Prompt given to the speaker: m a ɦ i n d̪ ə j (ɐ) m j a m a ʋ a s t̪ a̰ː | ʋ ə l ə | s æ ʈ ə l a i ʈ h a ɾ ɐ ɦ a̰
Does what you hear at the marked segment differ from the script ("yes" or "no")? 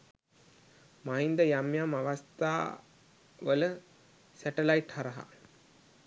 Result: yes